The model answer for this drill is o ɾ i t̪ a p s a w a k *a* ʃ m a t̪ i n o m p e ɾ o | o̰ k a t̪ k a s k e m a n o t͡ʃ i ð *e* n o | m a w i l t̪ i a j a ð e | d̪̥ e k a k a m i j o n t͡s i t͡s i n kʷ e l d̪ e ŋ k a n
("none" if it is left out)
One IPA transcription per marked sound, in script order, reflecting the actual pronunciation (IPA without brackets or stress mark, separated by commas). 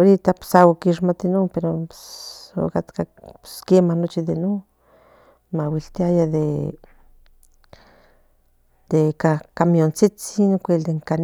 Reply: i, e